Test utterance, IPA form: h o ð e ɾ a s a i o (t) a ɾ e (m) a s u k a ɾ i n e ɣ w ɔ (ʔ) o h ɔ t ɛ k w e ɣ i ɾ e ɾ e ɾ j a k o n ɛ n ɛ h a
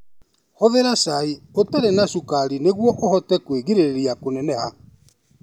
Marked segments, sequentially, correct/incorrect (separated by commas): correct, incorrect, correct